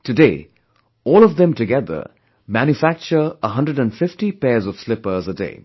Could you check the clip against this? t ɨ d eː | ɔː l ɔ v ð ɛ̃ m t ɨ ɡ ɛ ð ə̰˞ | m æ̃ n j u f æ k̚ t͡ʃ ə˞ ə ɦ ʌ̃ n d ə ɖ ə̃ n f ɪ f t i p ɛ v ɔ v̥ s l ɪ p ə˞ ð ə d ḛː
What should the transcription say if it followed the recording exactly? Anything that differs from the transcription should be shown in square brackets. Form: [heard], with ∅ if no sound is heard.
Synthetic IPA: t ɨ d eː | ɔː l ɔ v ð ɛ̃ m t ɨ ɡ ɛ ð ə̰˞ | m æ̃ n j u f æ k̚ t͡ʃ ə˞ ə ɦ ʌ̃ n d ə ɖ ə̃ n f ɪ f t i p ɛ [z] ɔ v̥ s l ɪ p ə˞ [z] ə d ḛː